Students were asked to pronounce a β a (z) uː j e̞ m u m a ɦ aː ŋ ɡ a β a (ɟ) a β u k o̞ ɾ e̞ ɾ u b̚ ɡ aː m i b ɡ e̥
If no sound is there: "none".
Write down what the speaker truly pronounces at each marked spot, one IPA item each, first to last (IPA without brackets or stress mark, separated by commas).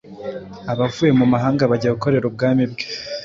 v, ɟ